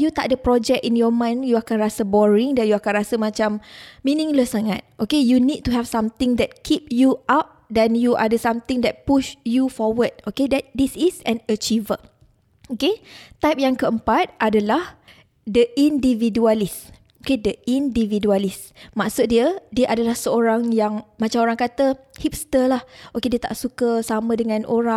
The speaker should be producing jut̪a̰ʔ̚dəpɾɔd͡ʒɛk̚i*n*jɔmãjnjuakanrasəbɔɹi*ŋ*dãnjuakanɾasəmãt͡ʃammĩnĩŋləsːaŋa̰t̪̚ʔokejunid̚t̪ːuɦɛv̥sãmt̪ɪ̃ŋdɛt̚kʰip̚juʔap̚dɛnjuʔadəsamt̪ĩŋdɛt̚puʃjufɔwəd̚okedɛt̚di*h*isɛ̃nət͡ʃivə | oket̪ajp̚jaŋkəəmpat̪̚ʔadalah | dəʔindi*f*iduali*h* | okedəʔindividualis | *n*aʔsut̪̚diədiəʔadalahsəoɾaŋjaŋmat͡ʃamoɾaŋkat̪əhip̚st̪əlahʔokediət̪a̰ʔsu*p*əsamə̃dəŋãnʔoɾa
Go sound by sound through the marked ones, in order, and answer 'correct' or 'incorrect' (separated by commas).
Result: correct, correct, incorrect, incorrect, incorrect, incorrect, incorrect